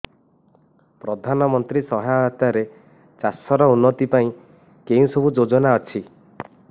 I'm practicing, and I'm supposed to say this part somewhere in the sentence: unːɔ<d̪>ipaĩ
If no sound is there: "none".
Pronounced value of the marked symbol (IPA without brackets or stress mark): t̪